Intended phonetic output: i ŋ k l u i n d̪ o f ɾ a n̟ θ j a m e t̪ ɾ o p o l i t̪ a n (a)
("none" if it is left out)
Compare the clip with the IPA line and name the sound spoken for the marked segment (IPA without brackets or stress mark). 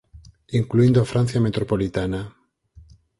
a